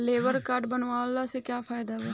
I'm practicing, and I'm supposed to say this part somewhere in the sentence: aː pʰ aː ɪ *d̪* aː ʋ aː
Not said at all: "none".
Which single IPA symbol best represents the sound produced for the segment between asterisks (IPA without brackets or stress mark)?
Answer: d̪